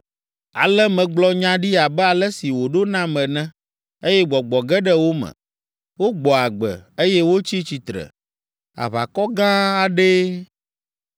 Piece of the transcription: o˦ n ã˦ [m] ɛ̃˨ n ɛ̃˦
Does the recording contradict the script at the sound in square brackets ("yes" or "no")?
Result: no